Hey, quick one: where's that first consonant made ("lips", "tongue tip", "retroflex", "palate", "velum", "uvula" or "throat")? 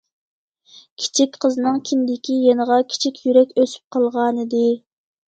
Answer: velum